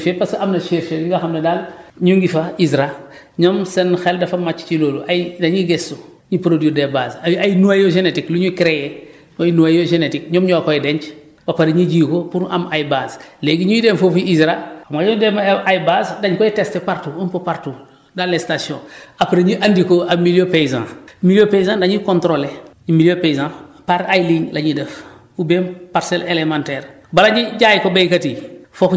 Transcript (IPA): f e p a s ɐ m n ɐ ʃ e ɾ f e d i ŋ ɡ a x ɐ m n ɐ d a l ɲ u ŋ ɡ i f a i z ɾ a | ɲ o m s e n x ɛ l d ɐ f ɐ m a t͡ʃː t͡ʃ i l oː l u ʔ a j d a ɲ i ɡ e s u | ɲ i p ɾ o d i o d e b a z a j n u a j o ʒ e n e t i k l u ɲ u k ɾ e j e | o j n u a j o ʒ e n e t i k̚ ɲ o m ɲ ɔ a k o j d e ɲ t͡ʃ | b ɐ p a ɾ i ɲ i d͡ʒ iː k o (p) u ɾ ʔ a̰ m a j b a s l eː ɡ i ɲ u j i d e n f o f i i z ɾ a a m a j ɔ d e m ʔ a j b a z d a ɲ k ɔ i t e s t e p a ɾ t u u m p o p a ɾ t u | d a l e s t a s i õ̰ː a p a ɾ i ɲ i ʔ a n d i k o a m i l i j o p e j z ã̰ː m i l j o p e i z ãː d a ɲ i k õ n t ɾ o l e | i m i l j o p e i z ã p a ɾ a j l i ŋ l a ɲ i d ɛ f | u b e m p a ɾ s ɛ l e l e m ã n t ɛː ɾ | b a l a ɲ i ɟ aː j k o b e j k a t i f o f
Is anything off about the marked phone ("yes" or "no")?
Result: no